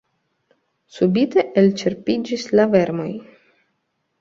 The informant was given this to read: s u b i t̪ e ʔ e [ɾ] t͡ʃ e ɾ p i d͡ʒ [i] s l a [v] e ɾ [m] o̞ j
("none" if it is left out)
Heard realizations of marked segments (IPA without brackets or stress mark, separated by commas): l, i, v, m